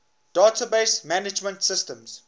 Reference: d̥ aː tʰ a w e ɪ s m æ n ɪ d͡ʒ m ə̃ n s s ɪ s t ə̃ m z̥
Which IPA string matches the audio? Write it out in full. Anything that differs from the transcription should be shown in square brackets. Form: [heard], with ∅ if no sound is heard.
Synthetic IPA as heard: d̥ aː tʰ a [b] e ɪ s m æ n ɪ d͡ʒ m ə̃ n [t] s ɪ s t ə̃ m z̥